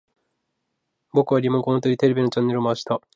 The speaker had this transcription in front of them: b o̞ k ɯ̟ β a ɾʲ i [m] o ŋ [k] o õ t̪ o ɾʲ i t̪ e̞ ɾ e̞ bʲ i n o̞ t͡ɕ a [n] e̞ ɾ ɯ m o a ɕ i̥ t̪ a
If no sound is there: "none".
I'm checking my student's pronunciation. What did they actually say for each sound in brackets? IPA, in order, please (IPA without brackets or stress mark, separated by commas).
m, k, nː